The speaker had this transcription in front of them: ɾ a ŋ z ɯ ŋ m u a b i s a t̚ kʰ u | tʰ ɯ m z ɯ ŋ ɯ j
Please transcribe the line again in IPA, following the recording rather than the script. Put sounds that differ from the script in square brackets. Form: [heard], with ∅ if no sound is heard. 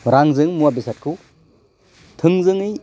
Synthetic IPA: ɾ a ŋ z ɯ ŋ m u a b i s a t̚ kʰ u | tʰ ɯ [ŋ] z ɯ ŋ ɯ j